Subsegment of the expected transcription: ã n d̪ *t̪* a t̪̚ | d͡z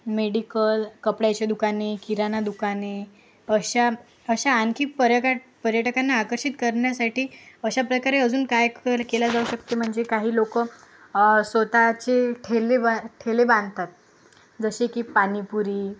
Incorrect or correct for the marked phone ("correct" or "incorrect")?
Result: correct